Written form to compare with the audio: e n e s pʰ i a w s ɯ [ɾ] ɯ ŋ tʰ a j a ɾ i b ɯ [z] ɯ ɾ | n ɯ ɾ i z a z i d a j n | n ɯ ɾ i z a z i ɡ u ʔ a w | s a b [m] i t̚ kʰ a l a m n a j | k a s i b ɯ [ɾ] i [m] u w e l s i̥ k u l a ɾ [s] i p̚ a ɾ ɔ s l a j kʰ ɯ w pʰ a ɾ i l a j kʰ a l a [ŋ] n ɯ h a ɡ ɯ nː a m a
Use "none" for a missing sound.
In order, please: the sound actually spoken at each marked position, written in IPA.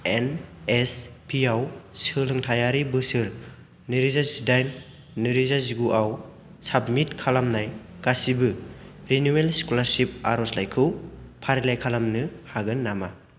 l, s, m, ɾ, n, s, m

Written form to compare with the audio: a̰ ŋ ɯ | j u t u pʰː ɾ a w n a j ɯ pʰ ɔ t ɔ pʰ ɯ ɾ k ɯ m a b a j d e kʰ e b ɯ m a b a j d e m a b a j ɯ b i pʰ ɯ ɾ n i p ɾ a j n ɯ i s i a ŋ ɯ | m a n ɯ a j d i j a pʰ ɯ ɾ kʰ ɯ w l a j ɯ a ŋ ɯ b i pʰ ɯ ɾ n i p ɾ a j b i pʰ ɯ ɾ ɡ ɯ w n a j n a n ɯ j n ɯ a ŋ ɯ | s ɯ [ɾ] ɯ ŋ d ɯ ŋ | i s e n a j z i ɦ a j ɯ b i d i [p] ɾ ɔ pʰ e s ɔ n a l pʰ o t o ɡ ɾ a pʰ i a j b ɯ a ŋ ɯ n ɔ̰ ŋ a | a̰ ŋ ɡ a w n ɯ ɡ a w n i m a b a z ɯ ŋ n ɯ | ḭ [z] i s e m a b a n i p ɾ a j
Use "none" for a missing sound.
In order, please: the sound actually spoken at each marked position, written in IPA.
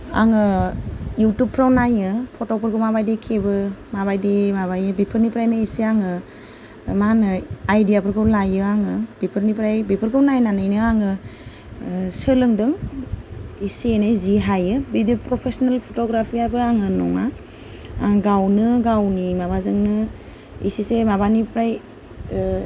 l, p, s

